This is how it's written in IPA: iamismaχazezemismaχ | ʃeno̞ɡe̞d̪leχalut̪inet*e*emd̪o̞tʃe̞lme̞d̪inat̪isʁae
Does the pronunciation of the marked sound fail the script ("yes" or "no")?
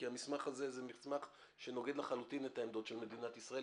yes